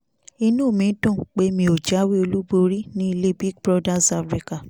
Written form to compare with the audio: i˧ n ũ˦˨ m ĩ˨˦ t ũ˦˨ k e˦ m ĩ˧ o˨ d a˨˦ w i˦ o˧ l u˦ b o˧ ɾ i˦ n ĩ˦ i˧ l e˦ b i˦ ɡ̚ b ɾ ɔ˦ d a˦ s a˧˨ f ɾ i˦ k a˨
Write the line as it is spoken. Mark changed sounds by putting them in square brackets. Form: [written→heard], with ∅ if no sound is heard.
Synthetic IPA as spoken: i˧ n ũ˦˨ m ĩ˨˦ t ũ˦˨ [k→k͡p] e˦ m ĩ˧ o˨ [d→d͡ʒ] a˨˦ w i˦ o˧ l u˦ b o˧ ɾ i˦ n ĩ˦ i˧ l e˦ b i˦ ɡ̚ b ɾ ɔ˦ d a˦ s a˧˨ f ɾ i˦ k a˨